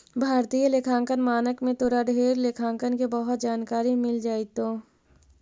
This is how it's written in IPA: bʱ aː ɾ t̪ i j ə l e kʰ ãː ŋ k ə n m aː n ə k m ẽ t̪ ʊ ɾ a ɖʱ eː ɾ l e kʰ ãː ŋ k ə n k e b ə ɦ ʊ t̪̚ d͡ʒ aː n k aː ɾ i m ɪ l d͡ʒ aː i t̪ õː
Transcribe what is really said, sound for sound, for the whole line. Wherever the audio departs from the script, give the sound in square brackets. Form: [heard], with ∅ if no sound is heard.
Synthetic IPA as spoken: bʱ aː ɾ t̪ i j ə l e kʰ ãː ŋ k ə n m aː n ə k m ẽ t̪ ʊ ɾ a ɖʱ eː ɾ l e kʰ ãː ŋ k ə n k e b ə ɦ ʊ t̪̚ d͡ʒ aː n k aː ɾ i m ɪ l d͡ʒ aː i t̪ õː